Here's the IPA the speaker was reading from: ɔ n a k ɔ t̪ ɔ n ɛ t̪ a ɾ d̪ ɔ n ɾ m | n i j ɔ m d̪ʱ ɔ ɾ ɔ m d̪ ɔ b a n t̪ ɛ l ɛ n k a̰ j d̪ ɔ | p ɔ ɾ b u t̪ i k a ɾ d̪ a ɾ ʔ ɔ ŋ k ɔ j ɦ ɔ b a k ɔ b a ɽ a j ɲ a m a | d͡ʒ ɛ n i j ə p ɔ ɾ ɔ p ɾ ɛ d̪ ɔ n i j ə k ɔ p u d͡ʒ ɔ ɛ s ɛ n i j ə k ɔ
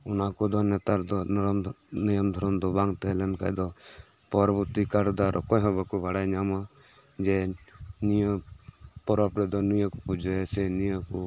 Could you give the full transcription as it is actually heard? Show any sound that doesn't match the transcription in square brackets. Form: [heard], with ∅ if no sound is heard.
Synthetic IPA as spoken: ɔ n a k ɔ [d̪] ɔ n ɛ t̪ a ɾ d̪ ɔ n ɾ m | n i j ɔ m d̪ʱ ɔ ɾ ɔ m d̪ ɔ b a [ŋ] t̪ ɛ l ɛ n k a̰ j d̪ ɔ | p ɔ ɾ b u t̪ i k a ɾ d̪ a ɾ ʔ ɔ [∅] k ɔ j ɦ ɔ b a k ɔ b a ɽ a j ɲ a m a | d͡ʒ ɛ n i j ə p ɔ ɾ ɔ p ɾ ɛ d̪ ɔ n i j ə k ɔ p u d͡ʒ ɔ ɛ s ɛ n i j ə k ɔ